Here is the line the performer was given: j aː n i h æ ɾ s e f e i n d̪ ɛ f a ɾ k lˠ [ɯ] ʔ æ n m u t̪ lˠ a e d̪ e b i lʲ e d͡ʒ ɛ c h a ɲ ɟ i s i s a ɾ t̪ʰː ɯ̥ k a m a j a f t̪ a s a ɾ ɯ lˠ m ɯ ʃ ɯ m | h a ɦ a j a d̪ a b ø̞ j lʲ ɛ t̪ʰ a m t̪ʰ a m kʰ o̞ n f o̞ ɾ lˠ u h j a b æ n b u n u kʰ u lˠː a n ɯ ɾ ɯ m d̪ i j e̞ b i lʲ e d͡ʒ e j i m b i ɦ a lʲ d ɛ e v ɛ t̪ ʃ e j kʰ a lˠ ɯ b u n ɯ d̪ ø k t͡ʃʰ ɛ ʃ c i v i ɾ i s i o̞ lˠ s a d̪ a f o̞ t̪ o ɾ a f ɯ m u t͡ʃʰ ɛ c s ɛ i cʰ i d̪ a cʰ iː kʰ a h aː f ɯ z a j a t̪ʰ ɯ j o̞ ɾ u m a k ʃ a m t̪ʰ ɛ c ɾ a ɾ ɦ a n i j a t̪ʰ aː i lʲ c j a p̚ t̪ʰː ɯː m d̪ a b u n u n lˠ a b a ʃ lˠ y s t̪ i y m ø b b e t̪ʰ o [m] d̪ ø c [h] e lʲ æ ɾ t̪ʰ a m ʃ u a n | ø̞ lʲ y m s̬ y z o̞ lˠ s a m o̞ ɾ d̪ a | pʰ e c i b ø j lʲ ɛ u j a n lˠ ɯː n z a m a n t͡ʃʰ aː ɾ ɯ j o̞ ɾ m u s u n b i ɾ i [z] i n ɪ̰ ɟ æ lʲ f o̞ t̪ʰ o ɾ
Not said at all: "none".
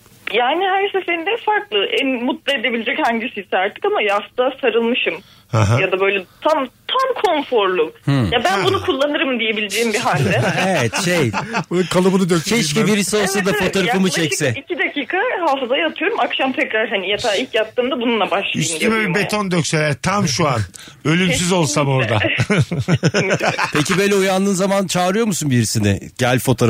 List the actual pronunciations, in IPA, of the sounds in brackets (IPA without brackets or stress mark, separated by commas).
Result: ɯ, n, s, s